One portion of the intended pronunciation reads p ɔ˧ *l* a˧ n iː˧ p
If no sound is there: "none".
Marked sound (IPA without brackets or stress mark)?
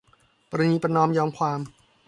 ɾ